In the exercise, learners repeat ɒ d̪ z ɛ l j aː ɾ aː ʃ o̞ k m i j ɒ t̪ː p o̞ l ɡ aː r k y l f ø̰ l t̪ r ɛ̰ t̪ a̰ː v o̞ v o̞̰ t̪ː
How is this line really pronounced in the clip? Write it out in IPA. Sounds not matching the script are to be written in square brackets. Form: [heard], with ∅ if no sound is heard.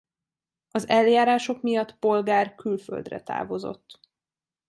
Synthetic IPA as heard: ɒ [∅] z ɛ l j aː ɾ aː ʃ o̞ k m i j ɒ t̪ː p o̞ l ɡ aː r k y l f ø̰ l [d̪] r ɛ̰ t̪ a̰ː v o̞ [z] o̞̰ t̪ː